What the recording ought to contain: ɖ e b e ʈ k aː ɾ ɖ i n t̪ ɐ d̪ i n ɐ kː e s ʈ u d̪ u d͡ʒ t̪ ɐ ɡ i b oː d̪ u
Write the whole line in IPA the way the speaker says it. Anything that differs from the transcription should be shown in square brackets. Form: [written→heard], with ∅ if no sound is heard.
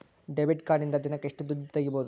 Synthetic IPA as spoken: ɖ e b [e→i] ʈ k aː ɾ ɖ i n [t̪→d̪] ɐ d̪ i n ɐ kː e [s→ʂ] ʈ u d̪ u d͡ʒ t̪ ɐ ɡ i b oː d̪ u

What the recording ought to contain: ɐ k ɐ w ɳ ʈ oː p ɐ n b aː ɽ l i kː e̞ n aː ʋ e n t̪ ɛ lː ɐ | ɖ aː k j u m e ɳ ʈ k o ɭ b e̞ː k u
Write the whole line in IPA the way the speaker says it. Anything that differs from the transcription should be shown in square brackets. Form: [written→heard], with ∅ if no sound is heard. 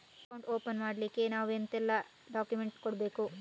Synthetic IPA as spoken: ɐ k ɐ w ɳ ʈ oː p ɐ n [b→m] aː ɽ l i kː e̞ n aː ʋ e n t̪ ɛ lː ɐ | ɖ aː k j u m e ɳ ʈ k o [ɭ→ɽ] b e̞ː k u

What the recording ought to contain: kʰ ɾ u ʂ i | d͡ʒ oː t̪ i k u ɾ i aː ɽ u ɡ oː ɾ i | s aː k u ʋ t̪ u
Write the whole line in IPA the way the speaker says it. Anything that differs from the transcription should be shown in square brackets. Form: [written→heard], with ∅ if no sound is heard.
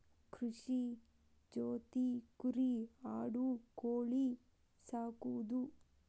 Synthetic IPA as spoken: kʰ ɾ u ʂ i | d͡ʒ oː t̪ i k u ɾ i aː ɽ u [ɡ→k] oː [ɾ→ɭ] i | s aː k u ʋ [t̪→d̪] u

